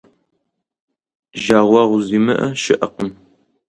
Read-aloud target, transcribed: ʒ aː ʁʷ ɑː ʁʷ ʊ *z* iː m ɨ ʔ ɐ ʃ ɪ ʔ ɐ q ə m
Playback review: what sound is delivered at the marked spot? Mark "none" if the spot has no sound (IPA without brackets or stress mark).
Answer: z